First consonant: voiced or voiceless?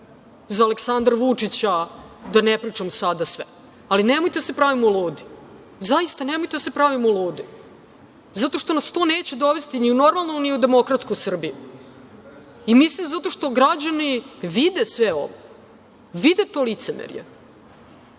voiced